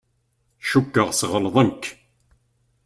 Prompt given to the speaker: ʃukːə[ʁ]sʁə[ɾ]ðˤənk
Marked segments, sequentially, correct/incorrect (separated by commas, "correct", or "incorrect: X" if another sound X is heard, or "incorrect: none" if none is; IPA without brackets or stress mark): correct, incorrect: l